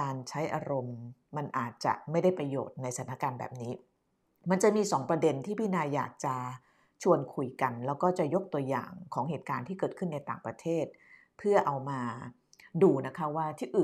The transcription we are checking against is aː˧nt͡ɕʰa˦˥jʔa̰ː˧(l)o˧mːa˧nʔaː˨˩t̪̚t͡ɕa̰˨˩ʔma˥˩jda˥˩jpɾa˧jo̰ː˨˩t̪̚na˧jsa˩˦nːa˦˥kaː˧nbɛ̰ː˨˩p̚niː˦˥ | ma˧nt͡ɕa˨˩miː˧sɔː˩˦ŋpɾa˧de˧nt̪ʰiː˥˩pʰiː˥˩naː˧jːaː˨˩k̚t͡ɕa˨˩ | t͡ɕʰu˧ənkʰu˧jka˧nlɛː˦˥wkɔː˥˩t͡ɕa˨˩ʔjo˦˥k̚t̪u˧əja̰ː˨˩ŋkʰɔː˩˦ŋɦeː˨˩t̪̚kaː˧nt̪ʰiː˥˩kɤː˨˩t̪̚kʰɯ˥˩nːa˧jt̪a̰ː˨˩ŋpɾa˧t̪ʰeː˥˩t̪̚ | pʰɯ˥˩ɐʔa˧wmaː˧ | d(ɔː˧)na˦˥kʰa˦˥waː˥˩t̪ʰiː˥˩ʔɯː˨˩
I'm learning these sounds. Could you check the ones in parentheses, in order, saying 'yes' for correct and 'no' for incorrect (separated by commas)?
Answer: no, no